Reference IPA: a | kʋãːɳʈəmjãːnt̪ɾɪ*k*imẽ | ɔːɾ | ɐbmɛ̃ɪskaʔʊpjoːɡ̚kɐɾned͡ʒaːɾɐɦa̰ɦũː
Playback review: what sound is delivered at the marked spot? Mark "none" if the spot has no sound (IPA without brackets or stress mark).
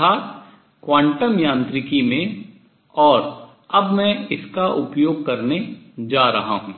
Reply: k